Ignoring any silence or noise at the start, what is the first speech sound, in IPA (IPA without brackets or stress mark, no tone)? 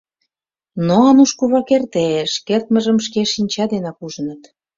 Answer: n